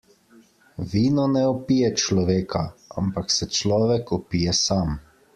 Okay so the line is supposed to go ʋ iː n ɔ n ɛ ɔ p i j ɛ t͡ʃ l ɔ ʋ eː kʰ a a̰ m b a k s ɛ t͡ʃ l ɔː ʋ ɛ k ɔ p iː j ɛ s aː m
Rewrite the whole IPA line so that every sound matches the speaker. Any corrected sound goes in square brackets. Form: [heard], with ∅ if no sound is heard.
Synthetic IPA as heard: ʋ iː n ɔ n ɛ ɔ p i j ɛ t͡ʃ l ɔ ʋ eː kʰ a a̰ m [p] a k s ɛ t͡ʃ l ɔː ʋ ɛ k ɔ p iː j ɛ s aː m